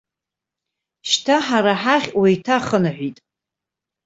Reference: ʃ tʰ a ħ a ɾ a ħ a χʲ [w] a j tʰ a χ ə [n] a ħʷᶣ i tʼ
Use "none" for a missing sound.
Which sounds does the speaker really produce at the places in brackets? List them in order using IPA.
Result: w, n

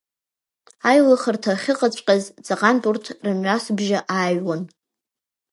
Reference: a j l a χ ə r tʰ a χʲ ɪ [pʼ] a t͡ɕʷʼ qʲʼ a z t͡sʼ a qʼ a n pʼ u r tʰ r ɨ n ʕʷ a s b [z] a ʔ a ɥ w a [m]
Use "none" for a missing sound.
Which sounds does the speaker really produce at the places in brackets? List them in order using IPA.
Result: qʼ, ʒ, n

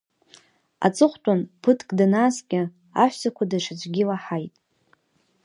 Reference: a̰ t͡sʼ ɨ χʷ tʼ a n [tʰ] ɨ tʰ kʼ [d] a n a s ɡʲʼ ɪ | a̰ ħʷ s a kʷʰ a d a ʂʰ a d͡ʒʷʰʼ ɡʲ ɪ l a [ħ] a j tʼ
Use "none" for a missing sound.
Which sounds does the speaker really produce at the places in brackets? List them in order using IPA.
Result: pʰ, d, ħ

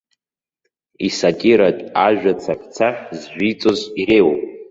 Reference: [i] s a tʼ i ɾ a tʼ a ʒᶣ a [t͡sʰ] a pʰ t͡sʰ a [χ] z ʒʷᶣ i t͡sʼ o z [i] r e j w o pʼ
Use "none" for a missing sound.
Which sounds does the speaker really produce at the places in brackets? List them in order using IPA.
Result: i, t͡sʰ, ħ, i

